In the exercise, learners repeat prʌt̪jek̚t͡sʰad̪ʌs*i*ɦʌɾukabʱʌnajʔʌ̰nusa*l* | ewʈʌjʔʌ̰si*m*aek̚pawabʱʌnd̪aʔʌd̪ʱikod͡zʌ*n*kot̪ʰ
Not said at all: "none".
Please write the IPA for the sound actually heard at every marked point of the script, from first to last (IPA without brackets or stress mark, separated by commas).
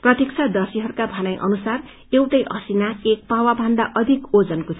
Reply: i, r, n, n